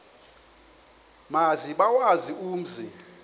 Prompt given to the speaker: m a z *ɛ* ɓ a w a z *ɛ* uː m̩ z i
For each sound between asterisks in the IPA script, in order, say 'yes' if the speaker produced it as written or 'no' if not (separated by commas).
no, no